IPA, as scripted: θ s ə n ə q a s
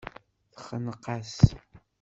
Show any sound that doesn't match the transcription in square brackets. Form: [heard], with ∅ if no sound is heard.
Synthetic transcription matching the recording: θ [χ] ə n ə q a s